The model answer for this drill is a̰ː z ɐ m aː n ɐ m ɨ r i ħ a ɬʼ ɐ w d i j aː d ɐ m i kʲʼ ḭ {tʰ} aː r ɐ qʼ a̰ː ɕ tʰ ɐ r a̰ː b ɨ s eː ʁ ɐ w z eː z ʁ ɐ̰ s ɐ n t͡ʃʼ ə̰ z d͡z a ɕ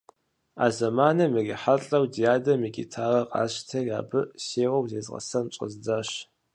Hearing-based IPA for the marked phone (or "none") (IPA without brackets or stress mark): tʰ